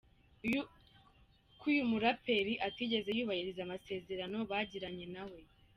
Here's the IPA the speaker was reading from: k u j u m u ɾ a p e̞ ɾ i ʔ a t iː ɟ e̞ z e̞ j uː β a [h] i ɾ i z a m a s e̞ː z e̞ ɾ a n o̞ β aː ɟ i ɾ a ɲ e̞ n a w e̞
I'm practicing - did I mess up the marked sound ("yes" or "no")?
no